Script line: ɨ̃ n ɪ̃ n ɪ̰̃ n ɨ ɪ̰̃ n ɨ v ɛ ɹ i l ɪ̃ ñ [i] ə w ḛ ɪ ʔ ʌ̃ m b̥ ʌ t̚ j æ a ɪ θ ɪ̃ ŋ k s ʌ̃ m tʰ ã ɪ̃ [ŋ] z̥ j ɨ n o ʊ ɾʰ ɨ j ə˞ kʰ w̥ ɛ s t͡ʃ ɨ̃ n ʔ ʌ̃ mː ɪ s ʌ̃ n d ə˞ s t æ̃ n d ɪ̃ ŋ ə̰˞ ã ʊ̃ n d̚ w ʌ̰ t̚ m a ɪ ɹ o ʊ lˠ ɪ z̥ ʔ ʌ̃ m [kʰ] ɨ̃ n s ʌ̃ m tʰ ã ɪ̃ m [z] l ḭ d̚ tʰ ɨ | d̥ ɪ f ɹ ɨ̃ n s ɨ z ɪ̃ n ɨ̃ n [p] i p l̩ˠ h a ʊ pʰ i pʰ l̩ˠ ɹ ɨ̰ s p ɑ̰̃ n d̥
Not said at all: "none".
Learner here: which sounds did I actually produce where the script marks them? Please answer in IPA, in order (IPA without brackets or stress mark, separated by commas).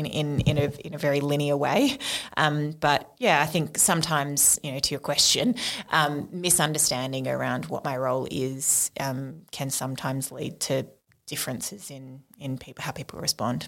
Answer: i, m, kʰ, z, pʰ